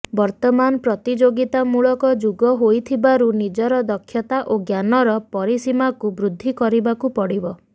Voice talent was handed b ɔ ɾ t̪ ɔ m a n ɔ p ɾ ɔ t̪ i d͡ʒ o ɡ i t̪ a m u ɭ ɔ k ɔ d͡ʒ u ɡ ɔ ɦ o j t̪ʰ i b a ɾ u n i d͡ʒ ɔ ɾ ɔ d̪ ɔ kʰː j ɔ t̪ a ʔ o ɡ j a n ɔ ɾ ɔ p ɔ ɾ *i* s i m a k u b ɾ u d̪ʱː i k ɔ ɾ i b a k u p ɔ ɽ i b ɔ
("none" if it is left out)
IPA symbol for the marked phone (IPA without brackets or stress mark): i